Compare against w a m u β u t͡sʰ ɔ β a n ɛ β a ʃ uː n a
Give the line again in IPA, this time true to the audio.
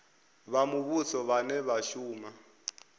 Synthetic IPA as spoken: β a m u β u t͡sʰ ɔ β a n ɛ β a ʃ uː m a